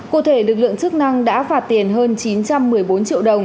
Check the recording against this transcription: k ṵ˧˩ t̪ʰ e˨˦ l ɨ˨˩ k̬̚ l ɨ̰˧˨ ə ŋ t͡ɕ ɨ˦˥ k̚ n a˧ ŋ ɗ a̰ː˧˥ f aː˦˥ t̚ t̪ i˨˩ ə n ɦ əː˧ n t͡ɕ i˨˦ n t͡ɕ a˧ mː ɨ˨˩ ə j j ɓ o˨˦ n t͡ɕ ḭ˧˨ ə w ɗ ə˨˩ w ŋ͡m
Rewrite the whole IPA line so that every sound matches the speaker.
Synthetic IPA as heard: k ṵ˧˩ t̪ʰ e˧˩ l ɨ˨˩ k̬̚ l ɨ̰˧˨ ə ŋ t͡ɕ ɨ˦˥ k̚ n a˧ ŋ ɗ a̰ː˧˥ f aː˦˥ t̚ t̪ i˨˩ ə n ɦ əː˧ n t͡ɕ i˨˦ n t͡ɕ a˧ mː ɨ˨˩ ə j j ɓ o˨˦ n t͡ɕ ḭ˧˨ ə w ɗ ə˨˩ w ŋ͡m